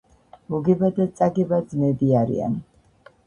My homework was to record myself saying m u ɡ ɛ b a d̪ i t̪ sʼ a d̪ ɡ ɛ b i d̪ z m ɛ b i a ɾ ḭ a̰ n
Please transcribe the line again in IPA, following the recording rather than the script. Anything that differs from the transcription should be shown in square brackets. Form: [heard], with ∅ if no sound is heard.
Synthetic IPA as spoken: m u ɡ ɛ b a d̪ [a] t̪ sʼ a [∅] ɡ ɛ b [a] d̪ z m ɛ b i a ɾ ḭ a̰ n

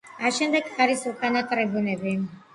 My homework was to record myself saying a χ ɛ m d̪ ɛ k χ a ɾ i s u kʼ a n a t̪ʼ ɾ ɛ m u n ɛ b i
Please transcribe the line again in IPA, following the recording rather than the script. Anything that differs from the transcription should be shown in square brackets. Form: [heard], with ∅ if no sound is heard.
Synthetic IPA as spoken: a [ʃ] ɛ m d̪ ɛ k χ a ɾ i s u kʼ a n a t̪ʼ ɾ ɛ [b] u n ɛ b i

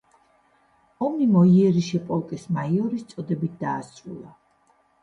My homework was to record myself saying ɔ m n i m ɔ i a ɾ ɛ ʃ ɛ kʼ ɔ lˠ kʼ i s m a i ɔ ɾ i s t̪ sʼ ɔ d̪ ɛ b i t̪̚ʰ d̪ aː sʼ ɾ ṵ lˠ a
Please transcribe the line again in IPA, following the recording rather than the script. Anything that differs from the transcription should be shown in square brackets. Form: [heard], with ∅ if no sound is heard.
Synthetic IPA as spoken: ɔ m n i m ɔ i [ɛ] ɾ [i] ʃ ɛ [pʼ] ɔ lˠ kʼ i s m a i ɔ ɾ i s t̪ sʼ ɔ d̪ ɛ b i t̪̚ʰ d̪ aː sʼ ɾ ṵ lˠ a

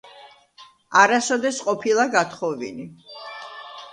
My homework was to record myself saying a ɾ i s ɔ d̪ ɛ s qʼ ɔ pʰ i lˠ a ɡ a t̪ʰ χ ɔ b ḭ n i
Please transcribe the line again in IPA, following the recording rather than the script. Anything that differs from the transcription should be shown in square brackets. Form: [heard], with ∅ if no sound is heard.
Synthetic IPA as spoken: a ɾ [a] s ɔ d̪ ɛ s qʼ ɔ pʰ i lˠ a ɡ a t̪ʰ χ ɔ [v] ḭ n i

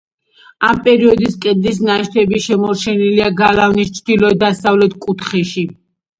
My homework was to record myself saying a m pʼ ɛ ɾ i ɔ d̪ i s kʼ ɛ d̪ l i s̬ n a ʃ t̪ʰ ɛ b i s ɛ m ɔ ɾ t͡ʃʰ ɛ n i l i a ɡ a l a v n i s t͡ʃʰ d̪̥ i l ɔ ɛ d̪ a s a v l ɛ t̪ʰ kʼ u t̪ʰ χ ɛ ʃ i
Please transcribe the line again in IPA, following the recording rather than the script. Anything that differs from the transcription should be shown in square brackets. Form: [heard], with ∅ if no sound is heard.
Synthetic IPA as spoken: a m pʼ ɛ ɾ i ɔ d̪ i s kʼ ɛ d̪ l i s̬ n a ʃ t̪ʰ ɛ b i [ʃ] ɛ m ɔ ɾ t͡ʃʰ ɛ n i l i a ɡ a l a v n i s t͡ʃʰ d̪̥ i l ɔ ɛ d̪ a s a v l ɛ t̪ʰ kʼ u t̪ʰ χ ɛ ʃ i

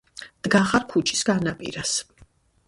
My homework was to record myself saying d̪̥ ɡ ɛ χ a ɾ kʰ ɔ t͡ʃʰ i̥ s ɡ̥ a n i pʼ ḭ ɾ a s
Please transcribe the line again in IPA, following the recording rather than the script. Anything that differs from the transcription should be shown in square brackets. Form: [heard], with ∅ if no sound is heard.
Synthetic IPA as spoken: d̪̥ ɡ [a] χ a ɾ kʰ [u] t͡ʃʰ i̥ s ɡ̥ a n [a] pʼ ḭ ɾ a s

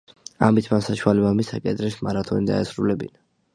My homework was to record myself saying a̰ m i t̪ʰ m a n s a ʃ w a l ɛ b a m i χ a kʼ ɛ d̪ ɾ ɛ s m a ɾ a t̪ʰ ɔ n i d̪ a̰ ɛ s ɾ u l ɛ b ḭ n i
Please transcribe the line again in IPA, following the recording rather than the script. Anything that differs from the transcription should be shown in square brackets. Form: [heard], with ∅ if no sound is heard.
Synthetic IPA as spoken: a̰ m i t̪ʰ m a n s a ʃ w a l ɛ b a m i [s] a kʼ ɛ d̪ ɾ ɛ s m a ɾ a t̪ʰ ɔ n i d̪ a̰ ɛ s ɾ u l ɛ b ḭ n [a]

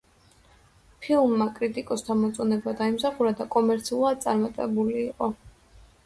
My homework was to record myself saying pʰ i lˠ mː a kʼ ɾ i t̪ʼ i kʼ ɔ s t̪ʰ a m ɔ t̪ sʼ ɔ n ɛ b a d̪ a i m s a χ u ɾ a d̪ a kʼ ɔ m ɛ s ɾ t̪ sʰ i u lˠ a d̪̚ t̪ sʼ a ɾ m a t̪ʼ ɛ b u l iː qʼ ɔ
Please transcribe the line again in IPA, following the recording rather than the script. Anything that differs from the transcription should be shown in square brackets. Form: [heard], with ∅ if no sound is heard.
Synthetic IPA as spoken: pʰ i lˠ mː a kʼ ɾ i t̪ʼ i kʼ ɔ s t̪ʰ a m ɔ t̪ sʼ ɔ n ɛ b a d̪ a i m s a χ u ɾ a d̪ a kʼ ɔ m ɛ [∅] ɾ t̪ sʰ i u lˠ a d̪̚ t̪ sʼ a ɾ m a t̪ʼ ɛ b u l iː qʼ ɔ

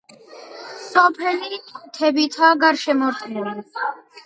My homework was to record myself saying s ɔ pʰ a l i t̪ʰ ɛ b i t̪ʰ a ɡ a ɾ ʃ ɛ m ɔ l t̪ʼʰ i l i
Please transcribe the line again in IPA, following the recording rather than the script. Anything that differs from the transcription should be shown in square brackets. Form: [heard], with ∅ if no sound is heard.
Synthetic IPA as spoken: s ɔ pʰ [ɛ] l i t̪ʰ ɛ b i t̪ʰ a ɡ a ɾ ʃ ɛ m ɔ [ɾ] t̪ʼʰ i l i

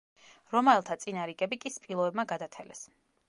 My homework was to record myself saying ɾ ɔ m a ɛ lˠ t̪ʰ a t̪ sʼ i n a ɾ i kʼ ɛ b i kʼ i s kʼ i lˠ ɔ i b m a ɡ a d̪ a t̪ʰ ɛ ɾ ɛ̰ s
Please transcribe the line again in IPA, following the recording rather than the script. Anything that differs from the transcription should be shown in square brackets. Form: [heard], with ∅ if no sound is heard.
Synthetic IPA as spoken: ɾ ɔ m a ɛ lˠ t̪ʰ a t̪ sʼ i n a ɾ i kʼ ɛ b i kʼ i s [pʼ] i lˠ ɔ [ɛ] b m a ɡ a d̪ a t̪ʰ ɛ [l] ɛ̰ s

